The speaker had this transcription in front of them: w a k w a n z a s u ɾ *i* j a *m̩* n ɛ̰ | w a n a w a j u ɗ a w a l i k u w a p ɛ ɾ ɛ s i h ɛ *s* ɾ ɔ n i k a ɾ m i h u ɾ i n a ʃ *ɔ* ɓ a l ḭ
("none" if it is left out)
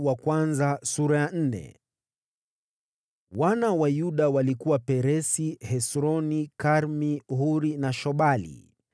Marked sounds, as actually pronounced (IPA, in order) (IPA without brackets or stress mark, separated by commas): a, n̩, s, ɔ